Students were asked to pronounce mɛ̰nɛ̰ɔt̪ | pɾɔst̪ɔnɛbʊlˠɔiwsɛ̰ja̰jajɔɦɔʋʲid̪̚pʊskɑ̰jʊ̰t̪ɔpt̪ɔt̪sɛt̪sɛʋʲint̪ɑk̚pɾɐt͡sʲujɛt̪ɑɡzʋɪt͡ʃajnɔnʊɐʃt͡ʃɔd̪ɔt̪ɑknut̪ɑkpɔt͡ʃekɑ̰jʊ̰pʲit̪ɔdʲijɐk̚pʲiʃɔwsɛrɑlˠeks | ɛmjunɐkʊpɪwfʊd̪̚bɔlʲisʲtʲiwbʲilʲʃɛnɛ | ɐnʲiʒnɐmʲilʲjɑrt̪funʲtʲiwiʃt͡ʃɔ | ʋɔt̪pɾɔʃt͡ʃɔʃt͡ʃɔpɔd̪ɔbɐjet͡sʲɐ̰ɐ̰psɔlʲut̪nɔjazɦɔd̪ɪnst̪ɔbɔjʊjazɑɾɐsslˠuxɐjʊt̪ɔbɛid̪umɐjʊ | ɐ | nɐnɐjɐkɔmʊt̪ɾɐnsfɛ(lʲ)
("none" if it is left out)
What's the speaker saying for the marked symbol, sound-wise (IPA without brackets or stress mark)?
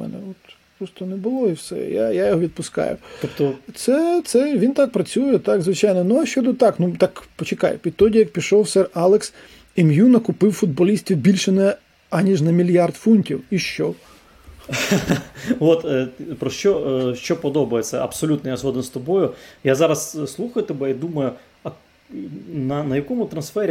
ɾʲ